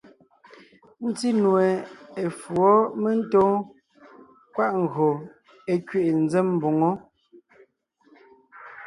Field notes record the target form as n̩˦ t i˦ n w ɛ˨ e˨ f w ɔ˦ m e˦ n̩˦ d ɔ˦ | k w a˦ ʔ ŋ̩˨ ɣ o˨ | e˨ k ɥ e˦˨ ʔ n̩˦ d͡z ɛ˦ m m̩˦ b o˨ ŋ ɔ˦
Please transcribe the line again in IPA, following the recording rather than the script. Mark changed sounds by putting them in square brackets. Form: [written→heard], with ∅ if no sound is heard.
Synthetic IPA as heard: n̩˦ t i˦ n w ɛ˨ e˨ f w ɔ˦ m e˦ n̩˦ [d→t] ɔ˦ | k w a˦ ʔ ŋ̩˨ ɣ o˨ | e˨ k ɥ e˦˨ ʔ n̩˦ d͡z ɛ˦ m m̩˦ b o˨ ŋ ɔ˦